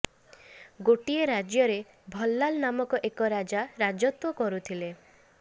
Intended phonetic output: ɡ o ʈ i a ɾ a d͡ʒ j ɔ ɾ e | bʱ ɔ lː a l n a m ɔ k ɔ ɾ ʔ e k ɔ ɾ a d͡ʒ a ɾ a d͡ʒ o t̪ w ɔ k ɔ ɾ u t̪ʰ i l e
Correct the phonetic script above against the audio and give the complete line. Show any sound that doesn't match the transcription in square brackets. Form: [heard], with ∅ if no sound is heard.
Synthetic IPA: ɡ o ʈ i [e] ɾ a d͡ʒ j ɔ ɾ e | bʱ ɔ lː a l n a m ɔ k ɔ [∅] ʔ e k ɔ ɾ a d͡ʒ a ɾ a d͡ʒ [ɔ] t̪ w ɔ k ɔ ɾ u t̪ʰ i l e